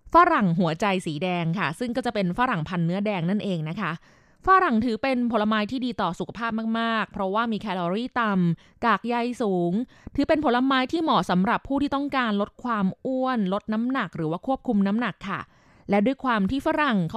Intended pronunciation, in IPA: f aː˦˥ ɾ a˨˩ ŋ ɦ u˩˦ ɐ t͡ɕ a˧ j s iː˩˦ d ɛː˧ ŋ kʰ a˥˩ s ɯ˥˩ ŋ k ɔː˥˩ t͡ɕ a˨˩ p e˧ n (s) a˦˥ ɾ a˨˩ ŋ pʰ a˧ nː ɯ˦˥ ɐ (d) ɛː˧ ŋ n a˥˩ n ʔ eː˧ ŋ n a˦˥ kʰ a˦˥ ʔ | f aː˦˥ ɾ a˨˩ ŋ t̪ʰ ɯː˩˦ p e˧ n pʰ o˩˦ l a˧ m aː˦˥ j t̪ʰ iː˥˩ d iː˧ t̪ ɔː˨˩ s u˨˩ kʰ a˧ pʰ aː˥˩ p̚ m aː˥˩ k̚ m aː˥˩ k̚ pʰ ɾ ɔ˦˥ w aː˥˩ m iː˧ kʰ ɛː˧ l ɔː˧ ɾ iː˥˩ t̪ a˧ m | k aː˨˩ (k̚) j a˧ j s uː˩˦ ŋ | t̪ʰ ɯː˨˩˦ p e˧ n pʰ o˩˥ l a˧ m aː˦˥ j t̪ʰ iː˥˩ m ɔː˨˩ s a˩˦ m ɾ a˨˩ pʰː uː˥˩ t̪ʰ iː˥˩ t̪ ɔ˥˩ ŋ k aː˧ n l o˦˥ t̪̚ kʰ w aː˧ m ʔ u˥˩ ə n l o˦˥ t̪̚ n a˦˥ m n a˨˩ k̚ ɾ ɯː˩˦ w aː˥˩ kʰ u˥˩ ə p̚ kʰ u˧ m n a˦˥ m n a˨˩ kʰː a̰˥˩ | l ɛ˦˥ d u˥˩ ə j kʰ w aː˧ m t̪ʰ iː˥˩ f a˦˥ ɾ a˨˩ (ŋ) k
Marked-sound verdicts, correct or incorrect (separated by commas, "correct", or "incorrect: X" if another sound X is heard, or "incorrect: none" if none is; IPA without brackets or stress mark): incorrect: f, correct, correct, correct